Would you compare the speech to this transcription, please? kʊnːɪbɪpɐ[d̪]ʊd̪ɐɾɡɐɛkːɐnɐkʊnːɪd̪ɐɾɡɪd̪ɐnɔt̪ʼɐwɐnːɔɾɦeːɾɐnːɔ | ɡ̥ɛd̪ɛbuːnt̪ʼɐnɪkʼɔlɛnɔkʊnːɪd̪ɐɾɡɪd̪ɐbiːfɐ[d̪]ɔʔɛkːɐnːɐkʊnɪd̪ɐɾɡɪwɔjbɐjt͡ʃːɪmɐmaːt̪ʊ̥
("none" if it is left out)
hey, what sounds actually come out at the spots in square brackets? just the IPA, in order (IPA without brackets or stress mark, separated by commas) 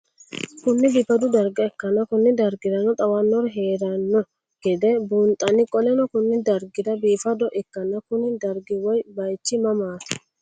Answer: d̪, d̪